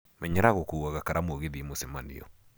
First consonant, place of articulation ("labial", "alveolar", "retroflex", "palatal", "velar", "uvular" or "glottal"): labial